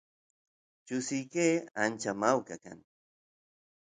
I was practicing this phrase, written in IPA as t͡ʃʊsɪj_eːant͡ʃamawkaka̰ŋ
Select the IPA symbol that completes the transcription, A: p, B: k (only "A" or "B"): B